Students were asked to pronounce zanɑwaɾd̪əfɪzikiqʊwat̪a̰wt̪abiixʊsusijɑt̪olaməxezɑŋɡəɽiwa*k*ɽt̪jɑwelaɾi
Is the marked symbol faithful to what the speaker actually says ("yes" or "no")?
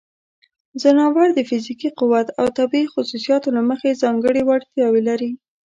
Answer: no